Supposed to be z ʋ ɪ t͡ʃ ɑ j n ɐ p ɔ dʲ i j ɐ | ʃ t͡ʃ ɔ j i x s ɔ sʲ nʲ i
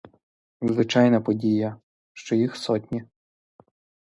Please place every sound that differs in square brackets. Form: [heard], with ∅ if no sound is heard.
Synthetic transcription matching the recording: z ʋ ɪ t͡ʃ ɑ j n ɐ p ɔ dʲ i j ɐ | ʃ t͡ʃ ɔ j i x s ɔ [tʲ] nʲ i